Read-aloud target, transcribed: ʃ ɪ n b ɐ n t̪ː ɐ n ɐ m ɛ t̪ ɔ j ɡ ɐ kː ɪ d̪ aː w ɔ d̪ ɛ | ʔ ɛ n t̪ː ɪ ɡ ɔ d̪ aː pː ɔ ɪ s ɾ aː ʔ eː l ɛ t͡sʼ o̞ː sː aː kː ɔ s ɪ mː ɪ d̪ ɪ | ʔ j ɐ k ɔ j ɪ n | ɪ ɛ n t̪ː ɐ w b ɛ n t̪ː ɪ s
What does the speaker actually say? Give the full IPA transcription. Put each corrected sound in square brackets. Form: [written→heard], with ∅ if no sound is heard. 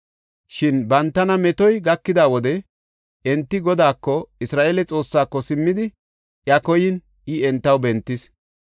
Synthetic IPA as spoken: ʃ ɪ n b ɐ n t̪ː ɐ n ɐ m ɛ t̪ ɔ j ɡ ɐ kː ɪ d̪ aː w ɔ d̪ ɛ | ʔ ɛ n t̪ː ɪ ɡ ɔ d̪ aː [pː→kː] ɔ ɪ s ɾ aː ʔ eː l ɛ t͡sʼ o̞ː sː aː kː ɔ s ɪ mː ɪ d̪ ɪ | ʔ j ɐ k ɔ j ɪ n | ɪ ɛ n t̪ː ɐ w b ɛ n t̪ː ɪ s

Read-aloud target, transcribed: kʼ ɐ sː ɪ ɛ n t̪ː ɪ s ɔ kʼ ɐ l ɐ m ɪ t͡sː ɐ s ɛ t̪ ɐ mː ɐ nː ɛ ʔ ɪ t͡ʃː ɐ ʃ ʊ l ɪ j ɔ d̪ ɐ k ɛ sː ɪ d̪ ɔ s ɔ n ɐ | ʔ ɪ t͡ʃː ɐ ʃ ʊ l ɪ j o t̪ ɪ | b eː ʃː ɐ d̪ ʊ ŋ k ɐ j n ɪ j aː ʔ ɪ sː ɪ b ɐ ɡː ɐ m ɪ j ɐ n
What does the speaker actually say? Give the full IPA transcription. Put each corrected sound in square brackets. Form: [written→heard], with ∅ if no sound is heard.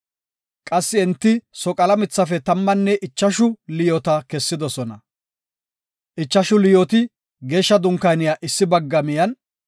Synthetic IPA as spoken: kʼ ɐ sː ɪ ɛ n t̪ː ɪ s ɔ kʼ ɐ l ɐ m ɪ t͡sː ɐ [s→f] ɛ t̪ ɐ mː ɐ nː ɛ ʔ ɪ t͡ʃː ɐ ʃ ʊ l ɪ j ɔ [d̪→t̪] ɐ k ɛ sː ɪ d̪ ɔ s ɔ n ɐ | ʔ ɪ t͡ʃː ɐ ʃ ʊ l ɪ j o t̪ ɪ | [b→ɡ] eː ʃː ɐ d̪ ʊ ŋ k ɐ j n ɪ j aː ʔ ɪ sː ɪ b ɐ ɡː ɐ m ɪ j ɐ n

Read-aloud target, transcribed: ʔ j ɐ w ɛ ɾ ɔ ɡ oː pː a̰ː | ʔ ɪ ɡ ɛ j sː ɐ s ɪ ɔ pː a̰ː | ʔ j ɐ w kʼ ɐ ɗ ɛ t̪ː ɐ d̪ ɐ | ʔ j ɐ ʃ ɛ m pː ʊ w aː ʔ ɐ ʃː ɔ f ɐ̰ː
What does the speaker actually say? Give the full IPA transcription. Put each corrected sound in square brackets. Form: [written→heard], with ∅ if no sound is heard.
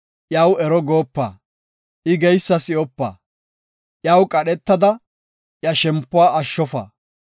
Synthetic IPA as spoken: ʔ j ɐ w ɛ ɾ ɔ ɡ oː pː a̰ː | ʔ ɪ ɡ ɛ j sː ɐ s ɪ ɔ pː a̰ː | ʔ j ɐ w kʼ ɐ ɗ ɛ t̪ː ɐ d̪ ɐ | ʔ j ɐ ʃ ɛ m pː ʊ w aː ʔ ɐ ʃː ɔ f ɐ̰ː

